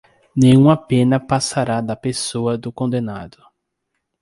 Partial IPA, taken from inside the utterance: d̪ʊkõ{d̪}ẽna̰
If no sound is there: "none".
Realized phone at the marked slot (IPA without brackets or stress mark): d̪